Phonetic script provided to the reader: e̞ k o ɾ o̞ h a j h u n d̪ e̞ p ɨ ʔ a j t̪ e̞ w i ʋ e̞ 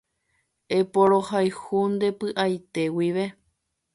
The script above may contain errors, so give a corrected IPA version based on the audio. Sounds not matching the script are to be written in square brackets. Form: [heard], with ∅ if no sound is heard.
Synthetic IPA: e̞ [p] o ɾ o̞ h a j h u n d̪ e̞ p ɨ ʔ a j t̪ e̞ w i ʋ e̞